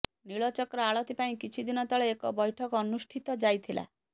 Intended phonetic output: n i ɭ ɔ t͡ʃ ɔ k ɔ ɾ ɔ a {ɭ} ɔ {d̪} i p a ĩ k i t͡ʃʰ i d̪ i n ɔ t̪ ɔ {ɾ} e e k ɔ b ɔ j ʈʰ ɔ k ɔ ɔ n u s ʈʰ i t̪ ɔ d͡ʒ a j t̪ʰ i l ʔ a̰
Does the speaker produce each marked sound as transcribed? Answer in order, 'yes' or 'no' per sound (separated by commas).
yes, no, no